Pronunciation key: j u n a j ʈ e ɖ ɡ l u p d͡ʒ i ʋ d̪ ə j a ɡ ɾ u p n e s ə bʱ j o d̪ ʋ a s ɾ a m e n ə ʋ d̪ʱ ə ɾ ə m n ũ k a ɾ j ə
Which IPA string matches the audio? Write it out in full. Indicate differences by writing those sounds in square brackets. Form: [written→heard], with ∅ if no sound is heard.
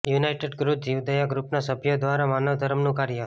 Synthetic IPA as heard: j u n a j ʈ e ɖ ɡ [l→ɾ] u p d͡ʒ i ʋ d̪ ə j a ɡ ɾ u p n [e→a] s ə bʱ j o d̪ ʋ a [s→∅] ɾ a m [e→a] n ə ʋ d̪ʱ ə ɾ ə m n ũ k a ɾ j ə